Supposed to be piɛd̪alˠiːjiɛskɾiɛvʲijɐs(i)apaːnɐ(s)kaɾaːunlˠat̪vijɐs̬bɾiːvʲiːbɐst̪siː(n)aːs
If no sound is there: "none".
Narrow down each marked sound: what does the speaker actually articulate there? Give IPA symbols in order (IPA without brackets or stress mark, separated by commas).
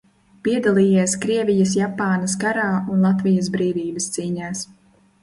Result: j, s, ɲ